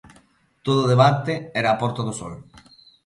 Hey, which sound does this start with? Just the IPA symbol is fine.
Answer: t̪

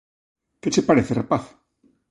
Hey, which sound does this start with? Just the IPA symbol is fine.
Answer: k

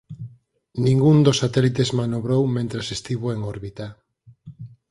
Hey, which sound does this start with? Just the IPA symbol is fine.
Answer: n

